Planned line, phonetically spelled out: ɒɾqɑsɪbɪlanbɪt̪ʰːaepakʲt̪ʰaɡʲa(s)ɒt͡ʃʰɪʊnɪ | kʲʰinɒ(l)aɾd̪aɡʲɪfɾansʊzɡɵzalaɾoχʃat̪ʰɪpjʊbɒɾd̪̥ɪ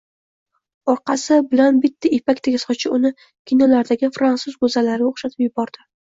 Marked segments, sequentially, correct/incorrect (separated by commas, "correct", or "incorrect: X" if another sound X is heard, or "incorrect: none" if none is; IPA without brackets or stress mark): correct, correct